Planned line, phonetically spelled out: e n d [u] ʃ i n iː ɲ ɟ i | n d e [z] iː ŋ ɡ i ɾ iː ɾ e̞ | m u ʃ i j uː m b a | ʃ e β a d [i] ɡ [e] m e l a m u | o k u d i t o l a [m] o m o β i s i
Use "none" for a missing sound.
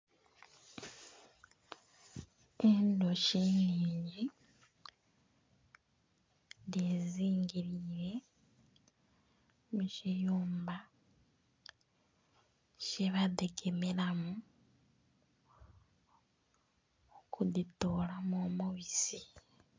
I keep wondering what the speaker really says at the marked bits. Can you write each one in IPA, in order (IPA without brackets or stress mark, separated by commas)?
o, z, e, e, m